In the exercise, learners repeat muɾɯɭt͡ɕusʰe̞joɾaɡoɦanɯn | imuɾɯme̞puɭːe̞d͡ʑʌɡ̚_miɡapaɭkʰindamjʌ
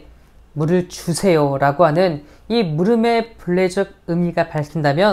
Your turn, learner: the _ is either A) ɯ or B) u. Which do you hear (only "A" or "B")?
A